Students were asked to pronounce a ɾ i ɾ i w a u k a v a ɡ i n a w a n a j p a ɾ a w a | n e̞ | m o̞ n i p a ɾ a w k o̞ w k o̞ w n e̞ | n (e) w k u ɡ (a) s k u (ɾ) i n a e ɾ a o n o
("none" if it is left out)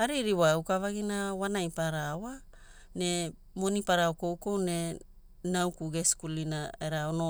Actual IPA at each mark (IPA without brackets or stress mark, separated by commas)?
a, e, l